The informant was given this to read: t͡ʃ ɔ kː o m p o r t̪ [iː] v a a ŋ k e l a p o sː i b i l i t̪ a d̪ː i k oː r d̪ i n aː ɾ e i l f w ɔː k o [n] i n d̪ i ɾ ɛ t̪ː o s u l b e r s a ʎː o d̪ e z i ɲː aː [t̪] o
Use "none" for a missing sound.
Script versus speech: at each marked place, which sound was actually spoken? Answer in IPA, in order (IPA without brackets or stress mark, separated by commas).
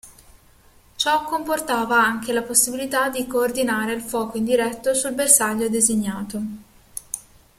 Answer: aː, none, t̪